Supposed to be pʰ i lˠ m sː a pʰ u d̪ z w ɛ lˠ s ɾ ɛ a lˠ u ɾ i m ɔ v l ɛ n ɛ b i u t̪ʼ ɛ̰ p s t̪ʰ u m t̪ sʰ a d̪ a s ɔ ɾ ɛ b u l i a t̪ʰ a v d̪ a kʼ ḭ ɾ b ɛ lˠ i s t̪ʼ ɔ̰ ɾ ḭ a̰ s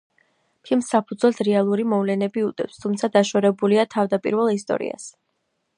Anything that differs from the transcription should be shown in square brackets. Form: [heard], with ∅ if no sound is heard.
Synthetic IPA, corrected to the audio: pʰ i lˠ m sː a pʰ u d̪ z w ɛ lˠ s ɾ ɛ a lˠ u ɾ i m ɔ v l ɛ n ɛ b i u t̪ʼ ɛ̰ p s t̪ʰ u m t̪ sʰ a d̪ a [ʃ] ɔ ɾ ɛ b u l i a t̪ʰ a v d̪ a [pʼ] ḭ ɾ [v] ɛ lˠ i s t̪ʼ ɔ̰ ɾ ḭ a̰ s